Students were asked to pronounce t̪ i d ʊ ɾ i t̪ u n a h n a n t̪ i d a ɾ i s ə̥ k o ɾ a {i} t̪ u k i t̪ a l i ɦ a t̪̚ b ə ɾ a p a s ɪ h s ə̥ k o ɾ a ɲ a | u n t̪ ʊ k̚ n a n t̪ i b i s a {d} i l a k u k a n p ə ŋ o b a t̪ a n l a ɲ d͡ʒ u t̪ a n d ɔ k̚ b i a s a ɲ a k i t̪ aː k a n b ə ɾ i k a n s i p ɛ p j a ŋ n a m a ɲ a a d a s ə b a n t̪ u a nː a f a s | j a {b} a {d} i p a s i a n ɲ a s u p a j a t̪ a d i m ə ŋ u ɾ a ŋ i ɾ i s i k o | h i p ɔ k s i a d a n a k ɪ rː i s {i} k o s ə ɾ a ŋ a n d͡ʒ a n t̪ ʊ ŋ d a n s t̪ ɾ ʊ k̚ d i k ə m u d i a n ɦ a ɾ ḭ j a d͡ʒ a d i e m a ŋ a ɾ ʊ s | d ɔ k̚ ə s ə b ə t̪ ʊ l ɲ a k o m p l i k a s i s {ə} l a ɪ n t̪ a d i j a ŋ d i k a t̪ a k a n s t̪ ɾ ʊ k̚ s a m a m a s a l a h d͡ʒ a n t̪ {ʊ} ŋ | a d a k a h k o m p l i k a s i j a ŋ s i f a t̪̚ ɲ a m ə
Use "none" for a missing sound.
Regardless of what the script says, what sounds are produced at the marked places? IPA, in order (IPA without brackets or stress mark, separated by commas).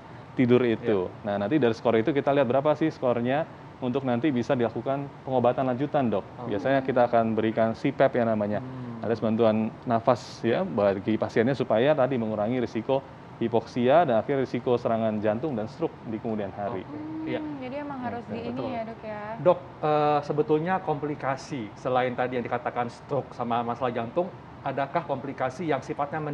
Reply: i, d, b, ɡ, i, ə, ʊ